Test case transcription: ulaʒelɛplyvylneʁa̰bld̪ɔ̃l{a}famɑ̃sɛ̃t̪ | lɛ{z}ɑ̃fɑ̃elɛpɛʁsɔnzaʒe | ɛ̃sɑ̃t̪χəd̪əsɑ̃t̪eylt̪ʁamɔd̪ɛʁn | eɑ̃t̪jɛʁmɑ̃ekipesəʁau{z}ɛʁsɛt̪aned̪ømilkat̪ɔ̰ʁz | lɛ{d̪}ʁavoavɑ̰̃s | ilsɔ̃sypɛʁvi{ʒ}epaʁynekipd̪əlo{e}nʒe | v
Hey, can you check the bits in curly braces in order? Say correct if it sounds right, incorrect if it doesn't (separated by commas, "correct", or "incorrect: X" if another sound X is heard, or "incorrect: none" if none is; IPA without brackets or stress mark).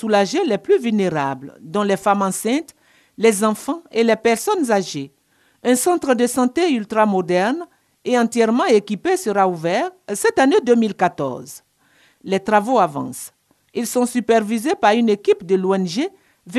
incorrect: ɛ, correct, incorrect: v, incorrect: t̪, incorrect: z, incorrect: ɛ